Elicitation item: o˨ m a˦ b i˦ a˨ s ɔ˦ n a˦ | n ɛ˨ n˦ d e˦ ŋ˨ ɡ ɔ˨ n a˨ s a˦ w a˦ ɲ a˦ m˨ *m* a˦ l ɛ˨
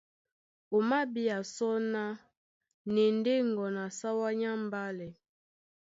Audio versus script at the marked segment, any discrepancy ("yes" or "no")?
yes